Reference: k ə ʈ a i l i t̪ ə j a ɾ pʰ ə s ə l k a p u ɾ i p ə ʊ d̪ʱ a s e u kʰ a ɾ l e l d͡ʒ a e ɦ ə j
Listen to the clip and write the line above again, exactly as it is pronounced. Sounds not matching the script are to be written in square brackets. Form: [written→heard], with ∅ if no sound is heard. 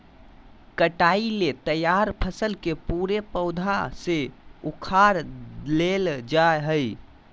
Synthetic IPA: k ə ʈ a i l [i→e] t̪ ə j a ɾ pʰ ə s ə l k [a→e] p u ɾ [i→e] p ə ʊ d̪ʱ a s e u kʰ a ɾ l e l d͡ʒ a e ɦ ə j